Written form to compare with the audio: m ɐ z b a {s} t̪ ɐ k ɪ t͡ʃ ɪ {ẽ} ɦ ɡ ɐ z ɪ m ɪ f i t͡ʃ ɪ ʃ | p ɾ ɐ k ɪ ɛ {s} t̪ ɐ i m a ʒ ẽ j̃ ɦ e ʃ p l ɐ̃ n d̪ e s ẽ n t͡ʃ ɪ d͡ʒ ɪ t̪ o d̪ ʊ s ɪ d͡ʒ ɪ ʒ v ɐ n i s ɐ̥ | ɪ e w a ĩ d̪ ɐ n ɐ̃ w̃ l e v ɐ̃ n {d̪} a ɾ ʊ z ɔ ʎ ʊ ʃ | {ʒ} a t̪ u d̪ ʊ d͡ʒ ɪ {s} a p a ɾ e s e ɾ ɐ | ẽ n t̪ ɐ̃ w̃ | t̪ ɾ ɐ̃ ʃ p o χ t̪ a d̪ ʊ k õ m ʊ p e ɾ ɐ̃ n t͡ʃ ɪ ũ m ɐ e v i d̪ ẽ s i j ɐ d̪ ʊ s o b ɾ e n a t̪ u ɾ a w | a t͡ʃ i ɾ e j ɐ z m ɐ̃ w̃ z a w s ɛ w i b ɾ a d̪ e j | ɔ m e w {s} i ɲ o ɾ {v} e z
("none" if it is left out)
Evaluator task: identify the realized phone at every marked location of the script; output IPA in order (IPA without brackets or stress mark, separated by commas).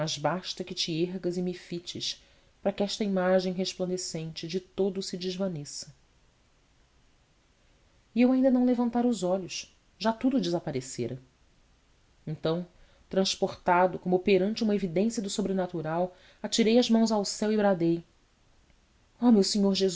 ʃ, e, ʃ, t̪, ʒ, z, s, ʒ